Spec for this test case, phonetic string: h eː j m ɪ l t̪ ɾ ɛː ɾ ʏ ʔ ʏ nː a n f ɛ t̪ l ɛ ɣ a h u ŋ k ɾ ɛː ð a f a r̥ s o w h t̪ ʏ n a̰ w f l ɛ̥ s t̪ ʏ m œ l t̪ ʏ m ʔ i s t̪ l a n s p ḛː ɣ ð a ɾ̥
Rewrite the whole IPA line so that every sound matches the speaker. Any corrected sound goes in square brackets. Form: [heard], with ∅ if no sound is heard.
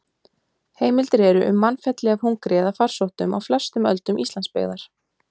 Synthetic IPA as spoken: h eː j m ɪ l t̪ ɾ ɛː ɾ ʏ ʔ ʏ [mː] a n f ɛ t̪ l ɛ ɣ a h u ŋ k ɾ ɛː ð a f a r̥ s o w h t̪ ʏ [m] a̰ w f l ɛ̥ s t̪ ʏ m œ l t̪ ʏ m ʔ i s t̪ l a n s p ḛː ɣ ð a ɾ̥